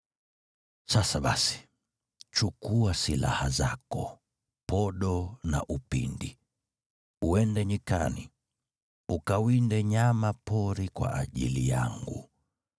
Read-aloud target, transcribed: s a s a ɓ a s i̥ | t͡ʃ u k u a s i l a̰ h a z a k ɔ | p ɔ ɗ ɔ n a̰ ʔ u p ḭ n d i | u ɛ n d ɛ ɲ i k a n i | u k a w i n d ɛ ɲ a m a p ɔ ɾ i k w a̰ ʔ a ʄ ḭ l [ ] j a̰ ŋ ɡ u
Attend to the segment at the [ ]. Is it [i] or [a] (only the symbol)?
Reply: i